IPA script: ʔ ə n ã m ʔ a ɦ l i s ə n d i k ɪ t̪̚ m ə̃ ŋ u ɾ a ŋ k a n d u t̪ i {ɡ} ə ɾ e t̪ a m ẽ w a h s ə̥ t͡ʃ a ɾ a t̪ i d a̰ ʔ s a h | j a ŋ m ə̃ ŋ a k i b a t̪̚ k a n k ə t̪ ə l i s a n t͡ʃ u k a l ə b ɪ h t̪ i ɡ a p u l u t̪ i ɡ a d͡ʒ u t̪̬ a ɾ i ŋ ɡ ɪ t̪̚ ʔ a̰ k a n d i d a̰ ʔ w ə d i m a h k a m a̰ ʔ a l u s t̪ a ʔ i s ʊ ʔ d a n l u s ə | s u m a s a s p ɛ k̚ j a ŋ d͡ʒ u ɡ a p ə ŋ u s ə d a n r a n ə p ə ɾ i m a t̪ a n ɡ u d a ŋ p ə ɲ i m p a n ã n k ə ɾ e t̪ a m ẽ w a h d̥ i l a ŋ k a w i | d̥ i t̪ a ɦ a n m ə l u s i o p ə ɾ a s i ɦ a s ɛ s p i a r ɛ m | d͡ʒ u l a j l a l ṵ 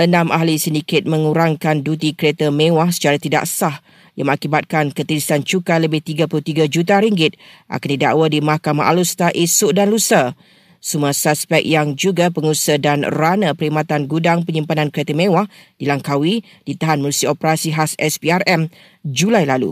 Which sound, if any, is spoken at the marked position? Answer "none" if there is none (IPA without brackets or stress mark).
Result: k